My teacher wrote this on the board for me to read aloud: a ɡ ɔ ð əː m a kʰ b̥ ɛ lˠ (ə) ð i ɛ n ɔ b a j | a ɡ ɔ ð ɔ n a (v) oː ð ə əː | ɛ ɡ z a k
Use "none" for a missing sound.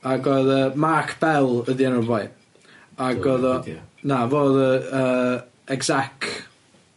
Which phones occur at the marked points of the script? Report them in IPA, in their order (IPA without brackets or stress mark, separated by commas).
ə, v